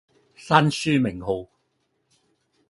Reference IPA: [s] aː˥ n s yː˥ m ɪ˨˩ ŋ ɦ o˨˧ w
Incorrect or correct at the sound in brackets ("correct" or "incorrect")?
correct